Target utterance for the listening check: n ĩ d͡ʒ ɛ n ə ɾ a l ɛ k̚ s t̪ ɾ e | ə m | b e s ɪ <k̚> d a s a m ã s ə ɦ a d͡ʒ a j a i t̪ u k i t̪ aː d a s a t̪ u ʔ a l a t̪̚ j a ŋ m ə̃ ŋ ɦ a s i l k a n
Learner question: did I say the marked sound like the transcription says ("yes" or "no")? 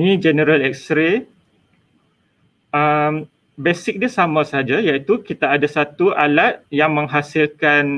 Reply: yes